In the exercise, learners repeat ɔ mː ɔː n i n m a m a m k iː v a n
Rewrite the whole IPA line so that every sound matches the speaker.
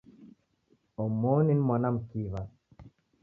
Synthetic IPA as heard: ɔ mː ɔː n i n m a n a m k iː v a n